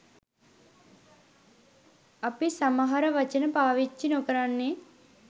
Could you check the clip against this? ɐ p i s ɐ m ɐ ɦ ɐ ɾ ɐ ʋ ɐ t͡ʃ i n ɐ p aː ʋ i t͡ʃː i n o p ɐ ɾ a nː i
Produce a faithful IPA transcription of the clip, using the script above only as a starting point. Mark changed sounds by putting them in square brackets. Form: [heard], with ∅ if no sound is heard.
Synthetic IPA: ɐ p i s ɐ m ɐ ɦ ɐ ɾ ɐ ʋ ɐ t͡ʃ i n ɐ p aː ʋ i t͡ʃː i n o [k] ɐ ɾ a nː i